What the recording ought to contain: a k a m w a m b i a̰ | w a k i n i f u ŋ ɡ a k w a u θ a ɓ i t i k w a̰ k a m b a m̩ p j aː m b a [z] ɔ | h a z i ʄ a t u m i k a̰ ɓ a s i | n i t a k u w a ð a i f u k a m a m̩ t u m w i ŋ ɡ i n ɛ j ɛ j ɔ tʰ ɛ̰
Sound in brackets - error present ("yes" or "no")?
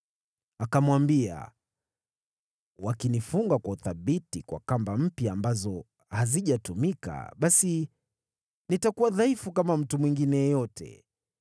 no